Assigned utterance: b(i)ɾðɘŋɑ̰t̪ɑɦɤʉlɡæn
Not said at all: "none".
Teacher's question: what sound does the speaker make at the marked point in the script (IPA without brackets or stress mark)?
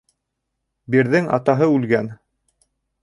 i